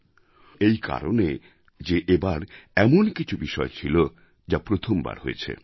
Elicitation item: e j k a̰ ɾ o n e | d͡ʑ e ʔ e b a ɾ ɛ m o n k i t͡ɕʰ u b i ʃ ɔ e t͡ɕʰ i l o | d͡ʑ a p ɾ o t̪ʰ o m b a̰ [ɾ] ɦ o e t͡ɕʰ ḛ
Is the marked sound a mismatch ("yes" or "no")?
no